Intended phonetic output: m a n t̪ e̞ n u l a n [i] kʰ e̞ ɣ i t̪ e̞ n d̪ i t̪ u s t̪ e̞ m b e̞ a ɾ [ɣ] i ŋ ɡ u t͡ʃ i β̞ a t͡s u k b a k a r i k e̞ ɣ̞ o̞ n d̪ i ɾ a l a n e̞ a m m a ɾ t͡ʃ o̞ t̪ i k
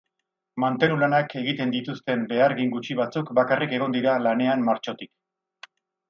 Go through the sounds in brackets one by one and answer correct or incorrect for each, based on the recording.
incorrect: a, correct

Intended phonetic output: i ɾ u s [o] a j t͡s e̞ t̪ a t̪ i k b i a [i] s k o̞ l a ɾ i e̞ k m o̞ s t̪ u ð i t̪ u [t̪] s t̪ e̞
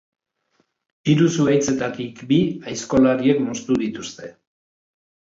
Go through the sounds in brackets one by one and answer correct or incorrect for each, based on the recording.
incorrect: u, incorrect: j, incorrect: none

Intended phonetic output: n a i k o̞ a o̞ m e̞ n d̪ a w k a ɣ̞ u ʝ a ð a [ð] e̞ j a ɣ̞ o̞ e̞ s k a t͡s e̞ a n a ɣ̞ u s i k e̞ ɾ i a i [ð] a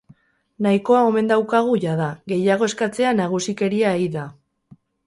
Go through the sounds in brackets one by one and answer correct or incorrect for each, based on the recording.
incorrect: ɣ, correct

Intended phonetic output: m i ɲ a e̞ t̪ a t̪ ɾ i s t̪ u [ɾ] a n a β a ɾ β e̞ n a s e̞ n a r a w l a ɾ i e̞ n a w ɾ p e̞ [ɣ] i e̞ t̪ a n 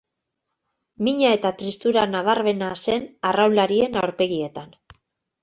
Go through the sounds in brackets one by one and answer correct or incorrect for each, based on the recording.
correct, correct

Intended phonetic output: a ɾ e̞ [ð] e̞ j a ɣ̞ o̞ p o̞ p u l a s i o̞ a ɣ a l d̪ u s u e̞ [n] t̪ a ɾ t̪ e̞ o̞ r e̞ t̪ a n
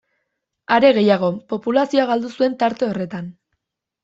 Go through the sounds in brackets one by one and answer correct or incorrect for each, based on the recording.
incorrect: ɣ, correct

